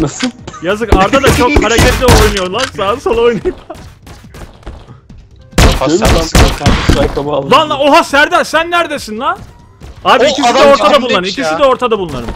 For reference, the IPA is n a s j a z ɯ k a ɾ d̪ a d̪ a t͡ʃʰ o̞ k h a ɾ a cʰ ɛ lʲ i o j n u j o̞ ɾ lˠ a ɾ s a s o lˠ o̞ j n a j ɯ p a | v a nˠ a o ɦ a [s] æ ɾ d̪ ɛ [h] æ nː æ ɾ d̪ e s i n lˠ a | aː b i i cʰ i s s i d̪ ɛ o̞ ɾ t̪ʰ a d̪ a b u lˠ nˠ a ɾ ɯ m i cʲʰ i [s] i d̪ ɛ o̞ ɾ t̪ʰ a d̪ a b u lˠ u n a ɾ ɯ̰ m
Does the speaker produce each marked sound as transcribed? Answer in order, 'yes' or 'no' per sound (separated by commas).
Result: yes, no, yes